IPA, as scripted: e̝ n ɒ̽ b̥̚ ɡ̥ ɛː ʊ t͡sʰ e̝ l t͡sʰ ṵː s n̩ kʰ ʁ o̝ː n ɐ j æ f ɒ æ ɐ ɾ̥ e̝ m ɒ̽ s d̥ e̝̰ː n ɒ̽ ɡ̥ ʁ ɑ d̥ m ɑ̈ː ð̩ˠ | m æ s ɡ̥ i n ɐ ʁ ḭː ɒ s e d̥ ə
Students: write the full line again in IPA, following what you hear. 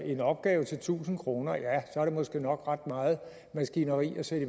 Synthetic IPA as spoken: e̝ n ɒ̽ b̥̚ ɡ̥ ɛː ʊ t͡sʰ e̝ l t͡sʰ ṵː s n̩ kʰ ʁ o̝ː n ɐ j æ s ɒ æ ɐ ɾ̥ e̝ m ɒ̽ s ɡ̥ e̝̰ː n ɒ̽ ɡ̥ ʁ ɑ d̥ m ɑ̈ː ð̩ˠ | m æ s ɡ̥ i n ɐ ʁ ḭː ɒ s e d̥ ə